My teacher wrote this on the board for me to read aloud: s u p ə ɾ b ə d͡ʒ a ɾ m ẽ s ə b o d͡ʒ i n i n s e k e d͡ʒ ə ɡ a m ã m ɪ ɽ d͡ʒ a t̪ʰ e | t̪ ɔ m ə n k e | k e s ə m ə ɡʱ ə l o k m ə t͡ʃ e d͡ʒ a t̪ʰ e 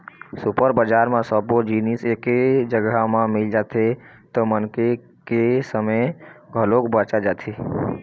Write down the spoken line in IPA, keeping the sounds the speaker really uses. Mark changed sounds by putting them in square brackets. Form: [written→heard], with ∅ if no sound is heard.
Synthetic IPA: s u p ə ɾ b ə d͡ʒ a ɾ m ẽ s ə b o d͡ʒ i n i [n→∅] s e k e d͡ʒ ə ɡ a m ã m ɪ [ɽ→l] d͡ʒ a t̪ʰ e | t̪ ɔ m ə n k e | k e s ə m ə ɡʱ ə l o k [m→b] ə t͡ʃ [e→a] d͡ʒ a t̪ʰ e